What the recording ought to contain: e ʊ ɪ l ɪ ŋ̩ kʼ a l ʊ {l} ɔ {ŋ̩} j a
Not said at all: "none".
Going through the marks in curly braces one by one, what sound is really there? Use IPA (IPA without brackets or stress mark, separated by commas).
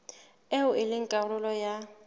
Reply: l, none